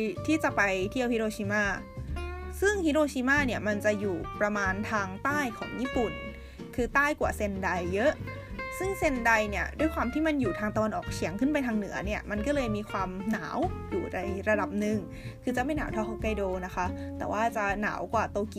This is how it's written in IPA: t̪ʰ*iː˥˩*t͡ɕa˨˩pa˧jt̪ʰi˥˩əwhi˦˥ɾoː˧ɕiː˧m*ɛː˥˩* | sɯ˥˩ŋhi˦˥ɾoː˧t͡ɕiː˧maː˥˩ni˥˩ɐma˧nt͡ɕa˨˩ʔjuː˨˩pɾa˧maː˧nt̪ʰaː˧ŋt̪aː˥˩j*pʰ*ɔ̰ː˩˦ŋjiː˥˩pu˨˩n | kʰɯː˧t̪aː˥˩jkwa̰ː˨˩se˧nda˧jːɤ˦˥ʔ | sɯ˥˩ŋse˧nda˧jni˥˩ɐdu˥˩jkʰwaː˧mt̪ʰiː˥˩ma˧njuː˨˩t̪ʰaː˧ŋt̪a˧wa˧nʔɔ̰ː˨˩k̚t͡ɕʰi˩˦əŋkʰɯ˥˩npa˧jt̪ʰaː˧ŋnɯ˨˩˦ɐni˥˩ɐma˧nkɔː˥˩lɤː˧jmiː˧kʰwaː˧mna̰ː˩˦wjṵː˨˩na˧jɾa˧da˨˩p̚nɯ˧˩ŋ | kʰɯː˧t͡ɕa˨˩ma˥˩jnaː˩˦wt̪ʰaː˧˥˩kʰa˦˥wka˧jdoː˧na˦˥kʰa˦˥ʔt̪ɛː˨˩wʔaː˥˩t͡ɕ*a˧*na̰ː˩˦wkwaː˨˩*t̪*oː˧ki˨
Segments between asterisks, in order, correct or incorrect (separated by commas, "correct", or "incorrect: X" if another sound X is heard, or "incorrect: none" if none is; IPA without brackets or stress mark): correct, incorrect: aː˥˩, incorrect: kʰ, incorrect: a˨˩, correct